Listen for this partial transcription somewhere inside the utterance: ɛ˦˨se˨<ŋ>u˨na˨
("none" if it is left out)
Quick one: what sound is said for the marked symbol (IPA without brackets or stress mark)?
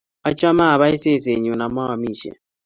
ɲ